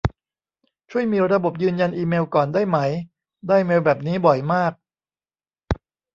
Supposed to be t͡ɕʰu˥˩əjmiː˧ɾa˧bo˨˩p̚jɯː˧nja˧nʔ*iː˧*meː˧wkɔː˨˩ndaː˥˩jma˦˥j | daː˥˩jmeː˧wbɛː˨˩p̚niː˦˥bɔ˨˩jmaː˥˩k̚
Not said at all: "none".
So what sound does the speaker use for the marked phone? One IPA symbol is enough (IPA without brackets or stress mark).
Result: iː˧